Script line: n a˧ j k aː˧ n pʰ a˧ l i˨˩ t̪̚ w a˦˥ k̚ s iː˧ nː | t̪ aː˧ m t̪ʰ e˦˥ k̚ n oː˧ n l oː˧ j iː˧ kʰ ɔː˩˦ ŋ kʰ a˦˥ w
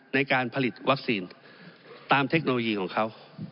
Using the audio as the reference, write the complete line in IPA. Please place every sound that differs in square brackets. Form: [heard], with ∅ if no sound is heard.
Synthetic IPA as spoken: n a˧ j k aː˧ n pʰ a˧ l i˨˩ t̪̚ w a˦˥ k̚ s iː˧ [n] | t̪ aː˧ m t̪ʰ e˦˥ k̚ n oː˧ [∅] l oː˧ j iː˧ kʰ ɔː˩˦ ŋ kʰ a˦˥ w

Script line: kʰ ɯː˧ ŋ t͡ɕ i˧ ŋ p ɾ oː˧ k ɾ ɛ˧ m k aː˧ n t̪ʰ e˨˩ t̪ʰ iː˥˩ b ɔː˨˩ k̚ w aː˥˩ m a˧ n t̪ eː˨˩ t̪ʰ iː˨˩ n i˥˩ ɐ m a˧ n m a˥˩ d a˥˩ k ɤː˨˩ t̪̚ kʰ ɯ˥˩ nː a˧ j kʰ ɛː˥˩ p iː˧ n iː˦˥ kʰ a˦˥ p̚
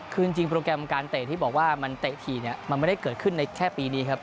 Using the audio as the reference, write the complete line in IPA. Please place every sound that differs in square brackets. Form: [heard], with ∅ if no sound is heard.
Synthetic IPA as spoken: kʰ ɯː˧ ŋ t͡ɕ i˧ ŋ p ɾ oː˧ k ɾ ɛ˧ m k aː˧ n [t̪] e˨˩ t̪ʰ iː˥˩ b ɔː˨˩ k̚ w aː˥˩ m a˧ n t̪ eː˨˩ t̪ʰ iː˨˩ n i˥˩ ɐ m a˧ n m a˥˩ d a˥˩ k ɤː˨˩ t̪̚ kʰ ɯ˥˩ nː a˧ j kʰ ɛː˥˩ p iː˧ n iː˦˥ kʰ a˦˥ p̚

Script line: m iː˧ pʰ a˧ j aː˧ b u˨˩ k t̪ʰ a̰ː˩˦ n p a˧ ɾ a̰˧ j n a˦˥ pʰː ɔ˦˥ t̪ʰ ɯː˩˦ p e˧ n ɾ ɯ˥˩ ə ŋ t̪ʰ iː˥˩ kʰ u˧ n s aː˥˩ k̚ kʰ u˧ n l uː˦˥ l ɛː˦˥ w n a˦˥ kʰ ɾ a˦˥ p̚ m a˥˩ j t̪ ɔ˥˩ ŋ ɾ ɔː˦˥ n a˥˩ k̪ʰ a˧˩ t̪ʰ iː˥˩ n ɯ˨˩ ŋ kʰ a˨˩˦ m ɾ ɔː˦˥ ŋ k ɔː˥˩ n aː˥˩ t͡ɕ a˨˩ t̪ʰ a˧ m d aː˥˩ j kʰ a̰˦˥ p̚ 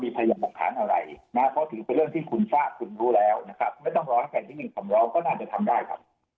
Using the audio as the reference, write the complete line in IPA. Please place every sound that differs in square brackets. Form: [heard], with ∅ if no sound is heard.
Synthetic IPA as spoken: m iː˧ pʰ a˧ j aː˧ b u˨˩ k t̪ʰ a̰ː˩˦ n [ʔ] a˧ ɾ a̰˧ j n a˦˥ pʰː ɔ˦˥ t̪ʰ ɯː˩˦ p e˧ n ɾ ɯ˥˩ ə ŋ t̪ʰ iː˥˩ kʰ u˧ n s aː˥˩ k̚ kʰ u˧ n [ɾ] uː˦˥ l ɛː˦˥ w n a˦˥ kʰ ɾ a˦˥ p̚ m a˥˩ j t̪ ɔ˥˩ ŋ ɾ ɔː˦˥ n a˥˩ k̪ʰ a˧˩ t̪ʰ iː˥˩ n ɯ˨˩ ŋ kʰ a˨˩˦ m ɾ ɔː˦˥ ŋ k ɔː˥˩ n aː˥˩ t͡ɕ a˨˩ t̪ʰ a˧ m d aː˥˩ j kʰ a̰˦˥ p̚

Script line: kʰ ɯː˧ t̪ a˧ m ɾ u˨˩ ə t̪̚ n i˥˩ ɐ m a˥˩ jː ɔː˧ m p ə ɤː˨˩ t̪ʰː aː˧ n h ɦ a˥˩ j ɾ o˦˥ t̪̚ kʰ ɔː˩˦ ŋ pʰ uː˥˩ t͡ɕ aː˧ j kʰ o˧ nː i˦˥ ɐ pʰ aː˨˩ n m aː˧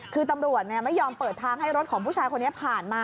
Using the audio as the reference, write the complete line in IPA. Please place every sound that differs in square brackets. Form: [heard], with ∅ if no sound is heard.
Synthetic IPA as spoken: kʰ ɯː˧ t̪ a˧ m ɾ u˨˩ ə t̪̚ n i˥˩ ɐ m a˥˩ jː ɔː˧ m p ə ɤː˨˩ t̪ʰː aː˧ [ŋ] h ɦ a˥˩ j ɾ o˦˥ t̪̚ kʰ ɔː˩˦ ŋ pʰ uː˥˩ [t͡ɕʰ] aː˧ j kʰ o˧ nː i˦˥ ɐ pʰ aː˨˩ n m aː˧

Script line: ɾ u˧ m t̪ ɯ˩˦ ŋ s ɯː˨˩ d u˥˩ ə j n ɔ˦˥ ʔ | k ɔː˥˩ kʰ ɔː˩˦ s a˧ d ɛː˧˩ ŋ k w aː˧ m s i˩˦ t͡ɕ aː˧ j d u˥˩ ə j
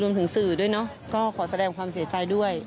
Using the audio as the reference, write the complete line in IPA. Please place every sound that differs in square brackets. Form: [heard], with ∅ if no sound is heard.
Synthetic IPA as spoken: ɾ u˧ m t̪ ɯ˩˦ ŋ s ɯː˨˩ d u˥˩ ə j n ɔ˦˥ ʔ | k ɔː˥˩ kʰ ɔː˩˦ s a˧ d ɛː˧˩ ŋ k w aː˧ m s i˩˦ t͡ɕ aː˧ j d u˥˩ ə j

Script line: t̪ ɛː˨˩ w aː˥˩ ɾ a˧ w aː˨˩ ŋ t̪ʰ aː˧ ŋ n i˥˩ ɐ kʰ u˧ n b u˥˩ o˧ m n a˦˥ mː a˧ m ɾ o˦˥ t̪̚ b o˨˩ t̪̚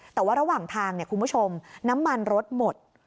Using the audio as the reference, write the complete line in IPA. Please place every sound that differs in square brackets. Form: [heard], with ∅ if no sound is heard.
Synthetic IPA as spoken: t̪ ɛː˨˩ w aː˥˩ ɾ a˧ w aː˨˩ ŋ t̪ʰ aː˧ ŋ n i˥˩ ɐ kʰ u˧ n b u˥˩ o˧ m n a˦˥ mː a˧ [n] ɾ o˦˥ t̪̚ [m] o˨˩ t̪̚

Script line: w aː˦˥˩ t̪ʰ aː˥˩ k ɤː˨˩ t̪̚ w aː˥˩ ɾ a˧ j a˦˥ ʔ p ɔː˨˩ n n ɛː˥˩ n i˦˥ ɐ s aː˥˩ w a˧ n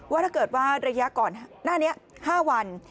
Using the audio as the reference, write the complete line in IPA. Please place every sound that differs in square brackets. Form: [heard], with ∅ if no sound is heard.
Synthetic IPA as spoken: w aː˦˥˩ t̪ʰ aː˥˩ k ɤː˨˩ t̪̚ w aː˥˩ ɾ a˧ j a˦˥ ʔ [k] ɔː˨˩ n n [aː˥˩] n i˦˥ ɐ [h] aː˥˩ w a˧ n

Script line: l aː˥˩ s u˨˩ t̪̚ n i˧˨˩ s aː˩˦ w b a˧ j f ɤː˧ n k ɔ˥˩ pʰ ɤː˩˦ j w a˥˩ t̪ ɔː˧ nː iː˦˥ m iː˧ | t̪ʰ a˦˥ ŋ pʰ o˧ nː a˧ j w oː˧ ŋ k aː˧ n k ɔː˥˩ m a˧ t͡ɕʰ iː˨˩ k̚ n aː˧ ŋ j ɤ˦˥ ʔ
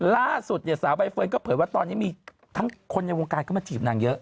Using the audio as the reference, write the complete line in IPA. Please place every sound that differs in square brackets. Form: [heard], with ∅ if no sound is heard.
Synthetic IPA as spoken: l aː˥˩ s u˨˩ t̪̚ n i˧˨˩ s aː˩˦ w b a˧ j f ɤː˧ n k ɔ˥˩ pʰ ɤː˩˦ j w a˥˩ t̪ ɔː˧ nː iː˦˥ m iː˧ | t̪ʰ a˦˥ ŋ [kʰ] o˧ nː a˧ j w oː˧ ŋ k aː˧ n k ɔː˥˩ m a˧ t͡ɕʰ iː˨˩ [p̚] n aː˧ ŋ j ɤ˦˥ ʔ

